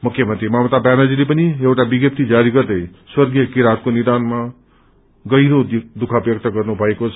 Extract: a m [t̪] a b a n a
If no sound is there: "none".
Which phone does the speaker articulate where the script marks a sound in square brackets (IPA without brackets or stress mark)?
t̪